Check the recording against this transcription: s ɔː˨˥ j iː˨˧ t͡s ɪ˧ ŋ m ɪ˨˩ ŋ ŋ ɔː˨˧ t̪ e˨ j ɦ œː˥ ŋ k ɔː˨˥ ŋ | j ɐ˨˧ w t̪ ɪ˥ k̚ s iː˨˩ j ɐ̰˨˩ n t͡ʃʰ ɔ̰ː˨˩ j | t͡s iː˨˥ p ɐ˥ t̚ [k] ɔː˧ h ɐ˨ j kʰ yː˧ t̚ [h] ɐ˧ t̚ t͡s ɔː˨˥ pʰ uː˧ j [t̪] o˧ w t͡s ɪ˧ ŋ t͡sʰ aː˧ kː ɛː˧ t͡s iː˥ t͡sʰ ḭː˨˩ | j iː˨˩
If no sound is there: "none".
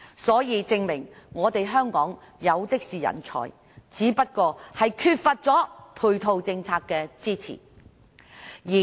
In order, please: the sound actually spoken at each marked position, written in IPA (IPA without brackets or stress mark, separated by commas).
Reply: k, f, t̪ʰ